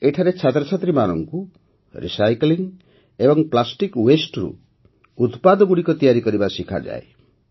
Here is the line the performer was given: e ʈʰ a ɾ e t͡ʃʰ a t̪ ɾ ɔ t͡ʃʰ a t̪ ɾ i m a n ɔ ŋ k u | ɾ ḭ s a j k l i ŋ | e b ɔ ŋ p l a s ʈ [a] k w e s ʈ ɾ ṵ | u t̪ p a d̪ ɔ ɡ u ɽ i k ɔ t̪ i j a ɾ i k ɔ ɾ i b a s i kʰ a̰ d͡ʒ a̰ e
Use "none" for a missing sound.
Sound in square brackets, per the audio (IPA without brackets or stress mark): i